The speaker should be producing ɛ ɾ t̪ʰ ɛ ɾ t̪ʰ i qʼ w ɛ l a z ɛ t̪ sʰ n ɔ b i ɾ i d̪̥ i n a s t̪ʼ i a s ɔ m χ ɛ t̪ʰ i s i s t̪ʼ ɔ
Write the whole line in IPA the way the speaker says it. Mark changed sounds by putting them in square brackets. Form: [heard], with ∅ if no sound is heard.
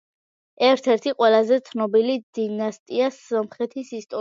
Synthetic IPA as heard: ɛ ɾ t̪ʰ ɛ ɾ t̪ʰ i qʼ w ɛ l a z ɛ t̪ sʰ n ɔ b i [l] i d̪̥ i n a s t̪ʼ i a s ɔ m χ ɛ t̪ʰ i s i s t̪ʼ ɔ